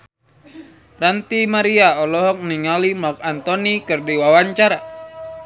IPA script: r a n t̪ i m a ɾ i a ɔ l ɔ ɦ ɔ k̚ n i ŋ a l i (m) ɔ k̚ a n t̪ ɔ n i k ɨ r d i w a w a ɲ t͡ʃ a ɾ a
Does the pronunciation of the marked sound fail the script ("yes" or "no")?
no